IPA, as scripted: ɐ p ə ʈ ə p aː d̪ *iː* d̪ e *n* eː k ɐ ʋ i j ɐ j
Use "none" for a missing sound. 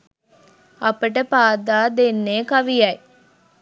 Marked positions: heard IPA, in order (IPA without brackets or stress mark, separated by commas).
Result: aː, nː